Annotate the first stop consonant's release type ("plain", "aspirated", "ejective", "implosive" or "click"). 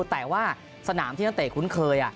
plain